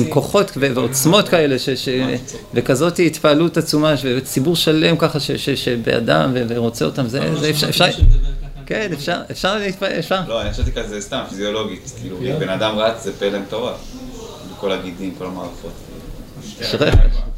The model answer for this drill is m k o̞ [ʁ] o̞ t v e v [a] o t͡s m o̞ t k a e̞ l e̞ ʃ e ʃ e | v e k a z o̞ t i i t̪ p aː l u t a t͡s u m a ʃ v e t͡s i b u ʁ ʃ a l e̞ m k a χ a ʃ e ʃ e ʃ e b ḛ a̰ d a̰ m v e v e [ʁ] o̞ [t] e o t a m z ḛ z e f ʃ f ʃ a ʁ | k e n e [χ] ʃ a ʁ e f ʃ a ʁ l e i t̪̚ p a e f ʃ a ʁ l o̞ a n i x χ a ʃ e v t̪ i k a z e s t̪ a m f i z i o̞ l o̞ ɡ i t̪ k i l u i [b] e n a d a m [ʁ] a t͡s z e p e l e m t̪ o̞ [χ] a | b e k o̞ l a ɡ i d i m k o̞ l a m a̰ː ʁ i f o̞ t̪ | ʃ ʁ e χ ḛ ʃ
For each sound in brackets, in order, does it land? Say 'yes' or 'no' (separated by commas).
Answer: no, no, yes, no, no, yes, yes, no